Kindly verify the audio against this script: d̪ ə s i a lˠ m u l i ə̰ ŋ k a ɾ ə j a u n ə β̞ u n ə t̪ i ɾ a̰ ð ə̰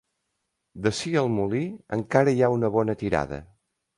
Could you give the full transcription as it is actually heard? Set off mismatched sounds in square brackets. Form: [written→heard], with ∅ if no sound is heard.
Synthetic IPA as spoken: d̪ ə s i [a→ə] lˠ m u l i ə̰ ŋ k a ɾ ə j a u n ə β̞ [u→ɔ] n ə t̪ i ɾ a̰ ð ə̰